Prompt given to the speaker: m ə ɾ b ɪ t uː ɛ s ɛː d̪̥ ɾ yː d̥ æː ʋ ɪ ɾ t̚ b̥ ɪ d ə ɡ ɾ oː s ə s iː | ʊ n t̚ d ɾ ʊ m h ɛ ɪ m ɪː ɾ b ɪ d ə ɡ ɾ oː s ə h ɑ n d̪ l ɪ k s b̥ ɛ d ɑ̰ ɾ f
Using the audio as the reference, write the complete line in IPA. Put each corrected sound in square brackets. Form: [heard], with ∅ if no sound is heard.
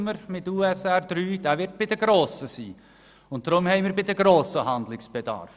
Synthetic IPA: m ə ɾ [m] ɪ t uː ɛ s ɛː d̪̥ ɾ yː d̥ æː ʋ ɪ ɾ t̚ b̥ ɪ d ə ɡ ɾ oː s ə s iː | ʊ n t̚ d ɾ ʊ m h ɛ ɪ m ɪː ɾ b ɪ d ə ɡ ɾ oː s ə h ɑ n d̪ l ɪ k s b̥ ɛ d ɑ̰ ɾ f